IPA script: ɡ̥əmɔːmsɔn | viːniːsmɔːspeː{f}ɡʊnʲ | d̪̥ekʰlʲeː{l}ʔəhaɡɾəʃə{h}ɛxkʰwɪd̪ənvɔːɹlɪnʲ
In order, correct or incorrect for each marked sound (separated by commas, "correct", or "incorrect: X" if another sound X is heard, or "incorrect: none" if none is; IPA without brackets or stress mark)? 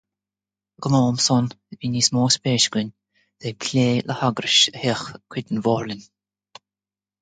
incorrect: ʃ, correct, correct